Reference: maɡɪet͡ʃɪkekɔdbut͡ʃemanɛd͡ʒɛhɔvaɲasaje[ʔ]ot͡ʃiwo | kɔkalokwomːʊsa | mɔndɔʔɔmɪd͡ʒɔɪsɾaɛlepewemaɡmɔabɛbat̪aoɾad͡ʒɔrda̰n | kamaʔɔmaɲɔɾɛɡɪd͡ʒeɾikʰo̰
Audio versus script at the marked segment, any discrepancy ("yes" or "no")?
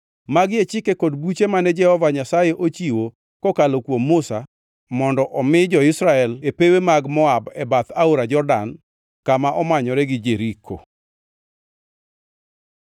no